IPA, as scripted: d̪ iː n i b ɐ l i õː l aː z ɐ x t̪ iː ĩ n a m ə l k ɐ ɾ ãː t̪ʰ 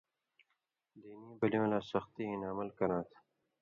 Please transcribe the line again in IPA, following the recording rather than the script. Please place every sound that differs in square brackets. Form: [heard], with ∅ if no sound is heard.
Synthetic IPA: d̪ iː n i b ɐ l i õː l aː [s] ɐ x t̪ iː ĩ n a m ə l k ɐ ɾ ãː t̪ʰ

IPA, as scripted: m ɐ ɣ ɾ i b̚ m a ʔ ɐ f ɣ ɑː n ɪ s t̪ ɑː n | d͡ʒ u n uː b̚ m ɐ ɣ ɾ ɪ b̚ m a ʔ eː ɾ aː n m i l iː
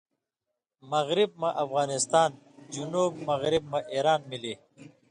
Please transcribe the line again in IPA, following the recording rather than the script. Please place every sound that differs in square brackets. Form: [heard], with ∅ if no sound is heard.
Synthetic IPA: m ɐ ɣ ɾ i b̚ m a ʔ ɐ f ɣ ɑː n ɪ s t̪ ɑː n | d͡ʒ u n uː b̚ m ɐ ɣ ɾ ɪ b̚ m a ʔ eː ɾ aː n m i l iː

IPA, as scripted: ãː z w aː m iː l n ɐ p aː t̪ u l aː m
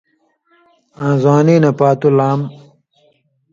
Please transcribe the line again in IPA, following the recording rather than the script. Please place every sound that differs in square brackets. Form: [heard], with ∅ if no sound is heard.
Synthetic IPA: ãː z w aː [n] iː [∅] n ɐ p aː t̪ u l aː m

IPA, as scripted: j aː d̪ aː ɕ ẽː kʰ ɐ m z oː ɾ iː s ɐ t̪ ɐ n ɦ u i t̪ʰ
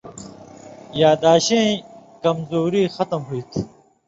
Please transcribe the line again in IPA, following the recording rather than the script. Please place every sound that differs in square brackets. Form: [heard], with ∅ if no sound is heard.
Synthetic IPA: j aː d̪ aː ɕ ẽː [k] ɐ m z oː ɾ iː [x] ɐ t̪ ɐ [m] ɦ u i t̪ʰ

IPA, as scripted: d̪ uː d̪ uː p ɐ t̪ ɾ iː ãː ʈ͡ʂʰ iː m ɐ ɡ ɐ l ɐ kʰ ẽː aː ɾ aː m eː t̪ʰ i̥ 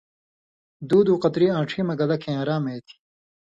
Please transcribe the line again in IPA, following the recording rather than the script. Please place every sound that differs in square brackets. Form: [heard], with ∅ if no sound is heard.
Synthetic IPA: d̪ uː d̪ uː [q] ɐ t̪ ɾ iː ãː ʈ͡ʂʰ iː m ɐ ɡ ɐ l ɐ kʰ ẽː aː ɾ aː m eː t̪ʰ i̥

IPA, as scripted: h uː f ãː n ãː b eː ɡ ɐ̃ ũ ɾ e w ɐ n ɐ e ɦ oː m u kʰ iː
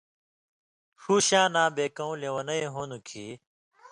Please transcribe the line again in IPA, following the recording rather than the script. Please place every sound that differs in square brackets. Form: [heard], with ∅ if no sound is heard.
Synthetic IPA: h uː [ɕ] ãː n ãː b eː [k] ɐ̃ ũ [l] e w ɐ n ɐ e ɦ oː [n] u kʰ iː

